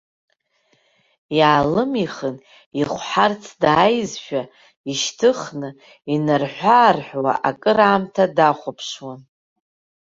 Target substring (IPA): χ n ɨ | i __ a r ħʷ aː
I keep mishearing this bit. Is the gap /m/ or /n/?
n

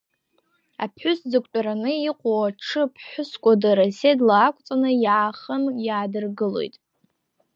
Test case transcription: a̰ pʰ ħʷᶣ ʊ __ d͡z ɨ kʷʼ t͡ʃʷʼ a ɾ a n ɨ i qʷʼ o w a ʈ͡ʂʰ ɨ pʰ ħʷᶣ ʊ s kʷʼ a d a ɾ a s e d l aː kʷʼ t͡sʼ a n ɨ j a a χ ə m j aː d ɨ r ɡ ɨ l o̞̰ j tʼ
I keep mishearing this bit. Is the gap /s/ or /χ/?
s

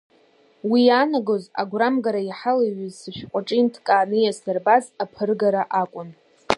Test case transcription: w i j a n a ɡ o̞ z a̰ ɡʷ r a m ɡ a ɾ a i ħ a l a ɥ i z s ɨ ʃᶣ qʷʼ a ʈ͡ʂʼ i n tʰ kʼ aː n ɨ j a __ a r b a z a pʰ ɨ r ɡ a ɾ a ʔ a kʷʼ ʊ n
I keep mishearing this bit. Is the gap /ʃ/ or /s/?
s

